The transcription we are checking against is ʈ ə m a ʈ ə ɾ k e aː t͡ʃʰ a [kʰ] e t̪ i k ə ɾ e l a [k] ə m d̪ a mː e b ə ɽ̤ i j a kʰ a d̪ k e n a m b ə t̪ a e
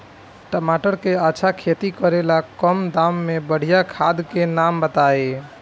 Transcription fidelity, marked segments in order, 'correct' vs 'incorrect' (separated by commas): correct, correct